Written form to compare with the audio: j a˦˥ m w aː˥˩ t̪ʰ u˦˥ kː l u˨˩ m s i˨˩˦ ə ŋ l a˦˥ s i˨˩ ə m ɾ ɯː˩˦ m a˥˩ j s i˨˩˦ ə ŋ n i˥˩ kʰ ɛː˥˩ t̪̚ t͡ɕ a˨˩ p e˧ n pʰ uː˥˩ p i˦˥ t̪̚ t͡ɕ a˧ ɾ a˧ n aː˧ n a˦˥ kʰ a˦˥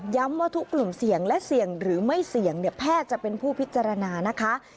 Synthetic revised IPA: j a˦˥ m w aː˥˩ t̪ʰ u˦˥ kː l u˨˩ m s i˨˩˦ ə ŋ l ɛ˦˥ s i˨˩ ə ŋ ɾ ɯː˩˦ m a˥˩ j s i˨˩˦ ə ŋ n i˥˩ pʰ ɛː˥˩ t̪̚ t͡ɕ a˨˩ p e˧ n pʰ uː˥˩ p i˦˥ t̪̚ t͡ɕ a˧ ɾ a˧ n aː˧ n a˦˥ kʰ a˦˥